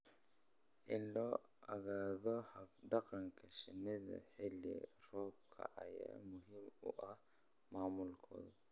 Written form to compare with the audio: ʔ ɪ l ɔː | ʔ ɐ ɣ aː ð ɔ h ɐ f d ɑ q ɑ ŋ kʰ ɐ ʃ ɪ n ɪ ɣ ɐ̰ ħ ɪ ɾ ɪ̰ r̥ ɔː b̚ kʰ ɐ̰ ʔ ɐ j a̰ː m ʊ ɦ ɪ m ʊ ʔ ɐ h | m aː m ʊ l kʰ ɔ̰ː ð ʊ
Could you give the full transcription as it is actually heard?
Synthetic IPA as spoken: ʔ ɪ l ɔː | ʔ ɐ ɣ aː ð ɔ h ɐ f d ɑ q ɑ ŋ kʰ ɐ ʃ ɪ n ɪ ð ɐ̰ ħ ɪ l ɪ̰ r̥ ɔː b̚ kʰ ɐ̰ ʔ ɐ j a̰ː m ʊ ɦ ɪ m ʊ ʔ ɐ h | m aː m ʊ l kʰ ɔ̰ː ð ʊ